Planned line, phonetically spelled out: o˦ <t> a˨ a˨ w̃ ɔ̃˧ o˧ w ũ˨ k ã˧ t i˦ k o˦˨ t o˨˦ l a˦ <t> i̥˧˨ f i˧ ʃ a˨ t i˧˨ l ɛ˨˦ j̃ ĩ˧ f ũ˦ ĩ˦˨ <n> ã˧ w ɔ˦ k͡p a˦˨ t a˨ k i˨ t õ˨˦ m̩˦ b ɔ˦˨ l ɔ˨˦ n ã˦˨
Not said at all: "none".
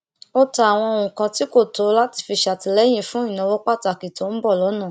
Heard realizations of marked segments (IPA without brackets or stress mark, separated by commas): t, t, n